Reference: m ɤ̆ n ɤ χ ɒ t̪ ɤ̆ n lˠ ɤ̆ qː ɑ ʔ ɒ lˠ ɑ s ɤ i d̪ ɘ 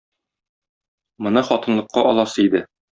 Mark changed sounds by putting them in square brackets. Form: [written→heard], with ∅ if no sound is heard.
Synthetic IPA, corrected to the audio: m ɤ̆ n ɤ χ ɒ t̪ ɤ̆ n lˠ ɤ̆ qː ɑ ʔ ɒ lˠ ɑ s ɤ i d̪ ɘ